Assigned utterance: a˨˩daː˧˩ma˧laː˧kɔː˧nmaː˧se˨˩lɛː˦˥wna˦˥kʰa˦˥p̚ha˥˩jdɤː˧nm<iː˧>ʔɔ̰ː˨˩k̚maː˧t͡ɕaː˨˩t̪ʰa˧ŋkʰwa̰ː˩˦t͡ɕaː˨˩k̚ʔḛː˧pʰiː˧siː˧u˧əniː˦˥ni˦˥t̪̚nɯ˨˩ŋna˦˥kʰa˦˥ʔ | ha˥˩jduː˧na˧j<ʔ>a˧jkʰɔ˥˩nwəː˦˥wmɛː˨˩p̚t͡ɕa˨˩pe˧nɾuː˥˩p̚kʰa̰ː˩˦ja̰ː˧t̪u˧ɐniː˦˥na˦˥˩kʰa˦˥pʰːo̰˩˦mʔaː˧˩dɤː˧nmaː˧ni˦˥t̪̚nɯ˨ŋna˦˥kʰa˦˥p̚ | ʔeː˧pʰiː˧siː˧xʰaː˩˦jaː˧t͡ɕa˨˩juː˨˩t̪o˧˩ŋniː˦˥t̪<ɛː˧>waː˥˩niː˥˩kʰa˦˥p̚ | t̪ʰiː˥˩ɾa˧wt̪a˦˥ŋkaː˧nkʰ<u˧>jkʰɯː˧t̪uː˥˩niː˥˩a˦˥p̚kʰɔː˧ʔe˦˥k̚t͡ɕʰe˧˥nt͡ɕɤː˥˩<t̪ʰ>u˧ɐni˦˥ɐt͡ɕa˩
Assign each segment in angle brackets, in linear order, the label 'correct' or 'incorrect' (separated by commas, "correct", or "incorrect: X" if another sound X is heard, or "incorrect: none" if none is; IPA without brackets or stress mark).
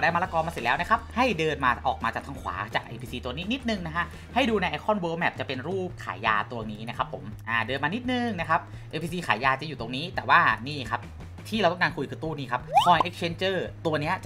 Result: incorrect: aː˧, correct, incorrect: ɛː˨˩, correct, incorrect: t̪